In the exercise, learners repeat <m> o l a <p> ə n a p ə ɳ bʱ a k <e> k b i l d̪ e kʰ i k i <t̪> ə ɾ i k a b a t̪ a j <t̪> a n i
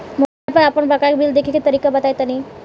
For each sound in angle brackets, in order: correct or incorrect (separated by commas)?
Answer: correct, correct, incorrect, correct, correct